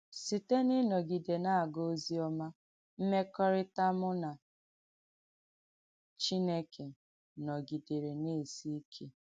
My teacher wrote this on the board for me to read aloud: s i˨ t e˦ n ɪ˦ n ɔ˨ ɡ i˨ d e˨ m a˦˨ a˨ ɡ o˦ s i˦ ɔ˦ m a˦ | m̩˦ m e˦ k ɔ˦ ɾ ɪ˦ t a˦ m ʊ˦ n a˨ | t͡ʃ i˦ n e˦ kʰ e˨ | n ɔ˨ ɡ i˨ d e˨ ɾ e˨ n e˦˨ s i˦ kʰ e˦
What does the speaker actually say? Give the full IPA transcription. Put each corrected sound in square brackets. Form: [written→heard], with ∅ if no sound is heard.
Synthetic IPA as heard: s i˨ t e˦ n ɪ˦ n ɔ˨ ɡ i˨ d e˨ [m→n] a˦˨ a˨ ɡ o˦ [s→z] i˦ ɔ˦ m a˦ | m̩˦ m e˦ k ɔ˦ ɾ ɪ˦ t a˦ m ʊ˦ n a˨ | t͡ʃ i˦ n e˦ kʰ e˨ | n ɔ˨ ɡ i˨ d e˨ ɾ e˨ n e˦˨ s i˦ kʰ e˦